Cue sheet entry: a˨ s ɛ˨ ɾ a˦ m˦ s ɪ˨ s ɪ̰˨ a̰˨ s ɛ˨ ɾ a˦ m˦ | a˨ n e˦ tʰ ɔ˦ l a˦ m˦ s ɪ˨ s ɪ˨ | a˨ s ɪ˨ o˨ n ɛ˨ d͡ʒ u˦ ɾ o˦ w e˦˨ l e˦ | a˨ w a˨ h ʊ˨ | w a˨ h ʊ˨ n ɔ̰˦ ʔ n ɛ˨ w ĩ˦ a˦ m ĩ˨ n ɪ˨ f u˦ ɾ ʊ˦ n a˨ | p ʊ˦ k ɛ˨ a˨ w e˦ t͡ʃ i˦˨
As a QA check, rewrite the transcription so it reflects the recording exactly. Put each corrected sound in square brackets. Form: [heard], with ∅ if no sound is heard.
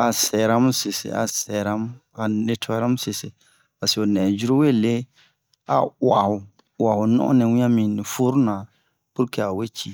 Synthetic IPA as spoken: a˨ s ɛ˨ ɾ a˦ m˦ s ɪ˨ s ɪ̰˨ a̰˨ s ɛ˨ ɾ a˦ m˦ | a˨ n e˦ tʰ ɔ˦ [ɾ] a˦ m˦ s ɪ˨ s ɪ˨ | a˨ s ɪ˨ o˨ n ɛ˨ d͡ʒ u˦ ɾ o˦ w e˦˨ l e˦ | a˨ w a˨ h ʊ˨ | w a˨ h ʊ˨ n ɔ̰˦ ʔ n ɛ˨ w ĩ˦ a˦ m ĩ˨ n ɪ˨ f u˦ ɾ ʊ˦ n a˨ | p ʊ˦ k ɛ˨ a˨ w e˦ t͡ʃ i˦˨